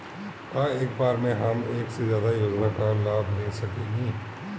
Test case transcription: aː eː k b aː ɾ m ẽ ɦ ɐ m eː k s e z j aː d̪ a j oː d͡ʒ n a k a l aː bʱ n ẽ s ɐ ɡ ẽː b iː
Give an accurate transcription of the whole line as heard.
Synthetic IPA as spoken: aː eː k b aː ɾ m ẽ ɦ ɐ m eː k s e z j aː d̪ a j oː d͡ʒ n a k a l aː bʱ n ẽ s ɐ k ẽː ɡ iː